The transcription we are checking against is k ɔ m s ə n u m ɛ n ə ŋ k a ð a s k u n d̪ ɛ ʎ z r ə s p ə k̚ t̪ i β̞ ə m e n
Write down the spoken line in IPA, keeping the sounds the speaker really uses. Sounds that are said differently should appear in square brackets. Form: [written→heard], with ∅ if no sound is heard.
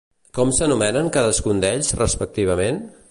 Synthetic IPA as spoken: k ɔ m s ə n u m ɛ n ə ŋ k a ð [a→ə] s k u n d̪ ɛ ʎ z r ə s p ə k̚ t̪ i β̞ ə m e n